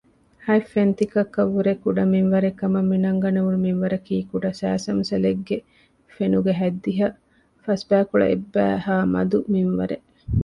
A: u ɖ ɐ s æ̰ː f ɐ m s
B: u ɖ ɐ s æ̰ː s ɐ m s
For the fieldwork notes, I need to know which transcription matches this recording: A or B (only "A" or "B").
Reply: B